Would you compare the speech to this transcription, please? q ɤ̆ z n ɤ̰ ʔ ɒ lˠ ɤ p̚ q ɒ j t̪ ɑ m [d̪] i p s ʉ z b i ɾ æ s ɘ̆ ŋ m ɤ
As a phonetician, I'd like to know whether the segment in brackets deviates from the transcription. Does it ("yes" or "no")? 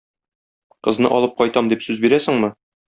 no